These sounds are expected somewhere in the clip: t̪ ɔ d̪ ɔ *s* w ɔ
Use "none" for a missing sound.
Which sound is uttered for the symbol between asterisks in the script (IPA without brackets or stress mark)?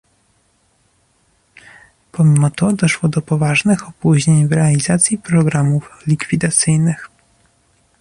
ʂ